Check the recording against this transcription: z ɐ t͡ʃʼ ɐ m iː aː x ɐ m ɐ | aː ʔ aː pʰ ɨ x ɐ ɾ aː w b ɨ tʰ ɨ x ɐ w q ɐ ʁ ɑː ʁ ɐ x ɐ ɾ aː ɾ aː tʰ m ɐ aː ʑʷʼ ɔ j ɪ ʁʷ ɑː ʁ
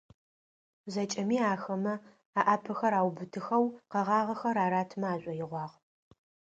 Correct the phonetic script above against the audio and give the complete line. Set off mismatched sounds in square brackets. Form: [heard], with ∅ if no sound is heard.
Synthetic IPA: z ɐ t͡ʃʼ ɐ m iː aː x ɐ m ɐ | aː ʔ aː pʰ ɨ x ɐ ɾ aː w b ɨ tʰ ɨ x ɐ w q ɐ ʁ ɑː ʁ ɐ x ɐ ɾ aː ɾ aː tʰ m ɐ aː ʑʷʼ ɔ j ɪ ʁʷ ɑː ʁ